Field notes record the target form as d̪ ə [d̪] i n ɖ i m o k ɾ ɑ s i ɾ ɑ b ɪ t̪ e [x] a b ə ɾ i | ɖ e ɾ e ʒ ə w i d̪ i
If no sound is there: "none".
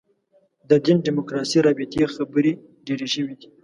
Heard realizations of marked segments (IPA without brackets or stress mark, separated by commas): d̪, x